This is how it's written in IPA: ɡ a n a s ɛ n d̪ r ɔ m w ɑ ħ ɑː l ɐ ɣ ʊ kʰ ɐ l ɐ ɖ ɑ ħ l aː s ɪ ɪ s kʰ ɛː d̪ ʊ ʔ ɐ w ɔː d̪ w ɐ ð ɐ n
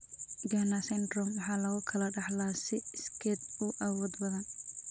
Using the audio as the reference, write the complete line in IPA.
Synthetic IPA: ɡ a n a s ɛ n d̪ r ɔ m w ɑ ħ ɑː l ɐ ɣ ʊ kʰ ɐ l ɐ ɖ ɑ ħ l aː s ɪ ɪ s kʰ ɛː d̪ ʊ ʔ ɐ w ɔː d̪ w ɐ ð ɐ n